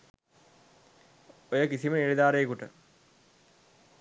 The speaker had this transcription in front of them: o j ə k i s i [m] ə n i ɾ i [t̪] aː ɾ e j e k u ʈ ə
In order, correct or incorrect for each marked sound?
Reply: correct, incorrect: d̪

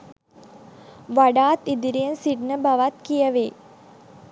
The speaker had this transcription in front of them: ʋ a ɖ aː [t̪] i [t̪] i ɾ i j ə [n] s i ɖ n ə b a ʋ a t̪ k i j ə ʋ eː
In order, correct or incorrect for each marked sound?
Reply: correct, incorrect: d̪, correct

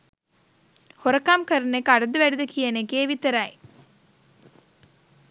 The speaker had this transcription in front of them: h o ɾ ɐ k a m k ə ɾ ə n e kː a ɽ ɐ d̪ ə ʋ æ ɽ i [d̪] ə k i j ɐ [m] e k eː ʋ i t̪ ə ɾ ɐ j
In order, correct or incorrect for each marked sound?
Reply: correct, incorrect: n

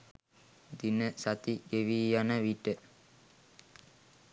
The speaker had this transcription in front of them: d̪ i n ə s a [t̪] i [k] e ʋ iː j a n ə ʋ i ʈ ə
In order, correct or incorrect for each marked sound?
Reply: correct, incorrect: ɡ

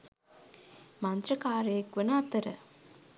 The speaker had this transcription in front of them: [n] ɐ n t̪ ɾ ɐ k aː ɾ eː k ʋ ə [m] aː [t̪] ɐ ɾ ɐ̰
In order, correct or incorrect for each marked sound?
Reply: incorrect: m, incorrect: n, correct

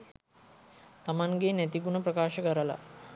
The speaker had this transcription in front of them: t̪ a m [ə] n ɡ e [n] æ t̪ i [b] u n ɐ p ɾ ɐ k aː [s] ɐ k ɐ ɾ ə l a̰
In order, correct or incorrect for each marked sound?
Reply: incorrect: a, correct, incorrect: ɡ, incorrect: ʃ

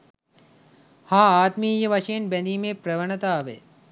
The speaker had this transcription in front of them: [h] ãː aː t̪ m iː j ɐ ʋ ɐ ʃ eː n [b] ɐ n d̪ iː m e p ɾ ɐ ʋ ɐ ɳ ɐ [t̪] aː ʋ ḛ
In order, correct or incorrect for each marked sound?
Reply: correct, correct, correct

